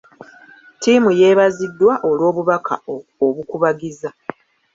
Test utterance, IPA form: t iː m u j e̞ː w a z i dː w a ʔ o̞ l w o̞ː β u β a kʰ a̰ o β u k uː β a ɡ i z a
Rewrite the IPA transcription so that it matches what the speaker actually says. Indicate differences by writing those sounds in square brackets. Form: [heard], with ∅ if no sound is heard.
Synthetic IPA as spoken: t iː m u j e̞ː [β] a z i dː w a ʔ o̞ l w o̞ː β u β a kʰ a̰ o β u k [u] β a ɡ i z a